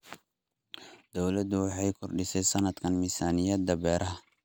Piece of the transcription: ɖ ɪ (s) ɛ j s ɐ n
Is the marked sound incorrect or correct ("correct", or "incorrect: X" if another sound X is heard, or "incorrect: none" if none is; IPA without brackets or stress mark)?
correct